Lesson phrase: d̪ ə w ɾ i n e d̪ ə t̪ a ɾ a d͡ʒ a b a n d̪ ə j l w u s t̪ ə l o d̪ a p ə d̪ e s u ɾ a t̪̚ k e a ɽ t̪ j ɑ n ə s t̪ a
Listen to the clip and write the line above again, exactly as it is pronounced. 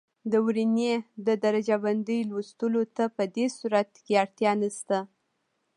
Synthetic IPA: d̪ ə w ɾ i n e d̪ ə d̪ a ɾ a d͡ʒ a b a n d̪ ə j l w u s t̪ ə l o t̪ a p ə d̪ e s u ɾ a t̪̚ k e a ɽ t̪ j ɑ n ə s t̪ a